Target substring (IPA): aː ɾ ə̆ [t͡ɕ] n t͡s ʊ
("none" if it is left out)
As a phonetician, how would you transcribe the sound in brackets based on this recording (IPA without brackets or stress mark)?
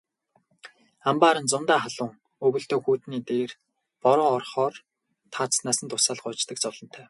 none